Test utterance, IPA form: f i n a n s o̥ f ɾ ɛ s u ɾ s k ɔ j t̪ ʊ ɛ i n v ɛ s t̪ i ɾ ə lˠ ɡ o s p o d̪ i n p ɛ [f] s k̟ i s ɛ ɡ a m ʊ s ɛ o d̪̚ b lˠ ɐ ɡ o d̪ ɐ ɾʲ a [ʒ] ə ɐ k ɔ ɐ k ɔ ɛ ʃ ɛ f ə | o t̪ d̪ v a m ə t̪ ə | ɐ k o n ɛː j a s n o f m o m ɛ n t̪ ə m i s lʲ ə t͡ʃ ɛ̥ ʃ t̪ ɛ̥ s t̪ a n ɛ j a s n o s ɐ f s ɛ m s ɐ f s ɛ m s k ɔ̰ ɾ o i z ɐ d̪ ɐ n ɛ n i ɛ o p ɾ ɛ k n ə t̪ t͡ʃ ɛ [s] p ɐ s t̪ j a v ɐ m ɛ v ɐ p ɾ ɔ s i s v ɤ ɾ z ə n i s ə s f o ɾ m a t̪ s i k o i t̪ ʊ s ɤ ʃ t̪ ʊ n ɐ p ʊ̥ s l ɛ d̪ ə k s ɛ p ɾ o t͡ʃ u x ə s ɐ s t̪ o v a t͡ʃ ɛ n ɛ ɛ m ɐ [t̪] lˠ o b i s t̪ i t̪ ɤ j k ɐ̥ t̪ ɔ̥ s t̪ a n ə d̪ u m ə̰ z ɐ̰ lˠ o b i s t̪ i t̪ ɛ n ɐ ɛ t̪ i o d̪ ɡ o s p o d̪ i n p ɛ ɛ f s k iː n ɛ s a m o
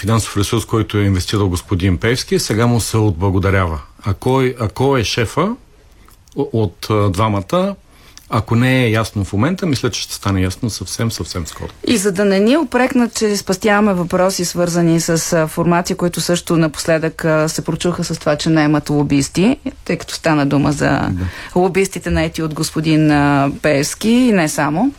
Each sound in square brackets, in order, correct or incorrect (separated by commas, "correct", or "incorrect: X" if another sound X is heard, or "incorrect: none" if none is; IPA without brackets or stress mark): correct, incorrect: v, correct, correct